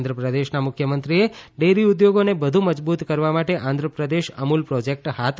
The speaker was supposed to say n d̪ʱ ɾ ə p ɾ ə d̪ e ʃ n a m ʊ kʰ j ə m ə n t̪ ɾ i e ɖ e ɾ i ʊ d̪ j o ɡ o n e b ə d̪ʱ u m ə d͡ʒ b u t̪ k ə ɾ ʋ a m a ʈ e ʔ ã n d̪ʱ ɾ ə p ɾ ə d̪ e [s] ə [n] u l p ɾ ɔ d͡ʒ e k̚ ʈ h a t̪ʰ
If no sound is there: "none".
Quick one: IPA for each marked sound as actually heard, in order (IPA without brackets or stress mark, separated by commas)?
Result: ʃ, m